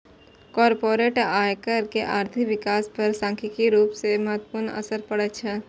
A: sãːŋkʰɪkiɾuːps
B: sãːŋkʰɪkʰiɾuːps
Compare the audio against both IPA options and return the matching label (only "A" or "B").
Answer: A